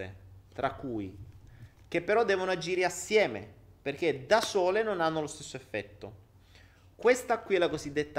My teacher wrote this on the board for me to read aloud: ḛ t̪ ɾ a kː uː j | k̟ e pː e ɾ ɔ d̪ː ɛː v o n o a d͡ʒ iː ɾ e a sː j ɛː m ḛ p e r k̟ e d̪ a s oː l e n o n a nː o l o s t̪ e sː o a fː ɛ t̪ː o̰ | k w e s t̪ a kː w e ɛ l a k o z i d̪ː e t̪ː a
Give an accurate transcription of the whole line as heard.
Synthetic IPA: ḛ t̪ ɾ a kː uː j | k̟ e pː e ɾ ɔ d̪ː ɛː v o n o a d͡ʒ iː ɾ e a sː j ɛː m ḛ p e r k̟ e d̪ a s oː l e n o n a nː o l o s t̪ e sː o e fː ɛ t̪ː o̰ | k w e s t̪ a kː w i ɛ l a k o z i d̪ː e t̪ː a